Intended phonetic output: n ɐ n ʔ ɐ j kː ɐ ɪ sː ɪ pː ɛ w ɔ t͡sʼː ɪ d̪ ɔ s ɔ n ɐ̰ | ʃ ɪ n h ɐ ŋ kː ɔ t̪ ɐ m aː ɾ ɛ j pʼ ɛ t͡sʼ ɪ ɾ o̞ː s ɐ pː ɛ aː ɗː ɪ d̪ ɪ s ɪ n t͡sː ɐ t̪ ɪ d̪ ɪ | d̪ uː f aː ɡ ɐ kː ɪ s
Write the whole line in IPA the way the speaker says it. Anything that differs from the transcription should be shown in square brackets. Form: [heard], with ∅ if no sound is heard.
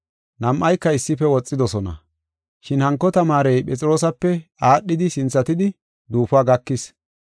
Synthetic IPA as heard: n ɐ [m] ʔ ɐ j kː ɐ ɪ sː ɪ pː ɛ w ɔ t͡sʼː ɪ d̪ ɔ s ɔ n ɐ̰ | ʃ ɪ n h ɐ ŋ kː ɔ t̪ ɐ m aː ɾ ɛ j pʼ ɛ t͡sʼ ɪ ɾ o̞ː s ɐ pː ɛ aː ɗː ɪ d̪ ɪ s ɪ n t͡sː ɐ t̪ ɪ d̪ ɪ | d̪ uː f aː ɡ ɐ kː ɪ s